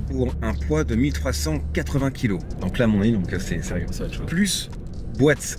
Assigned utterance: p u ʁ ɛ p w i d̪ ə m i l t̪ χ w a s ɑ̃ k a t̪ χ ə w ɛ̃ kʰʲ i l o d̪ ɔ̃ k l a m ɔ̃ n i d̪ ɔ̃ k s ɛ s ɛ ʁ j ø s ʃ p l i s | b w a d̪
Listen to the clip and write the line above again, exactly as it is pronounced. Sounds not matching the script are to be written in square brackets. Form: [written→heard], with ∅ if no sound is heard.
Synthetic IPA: p u ʁ [ɛ→ɛ̃] p w [i→a] d̪ ə m i l t̪ χ w a s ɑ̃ k a t̪ χ ə [w→v] ɛ̃ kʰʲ i l o d̪ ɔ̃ k l a m ɔ̃ n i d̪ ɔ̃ k s ɛ s ɛ ʁ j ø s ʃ p l [i→y] s | b w a [d̪→t̪]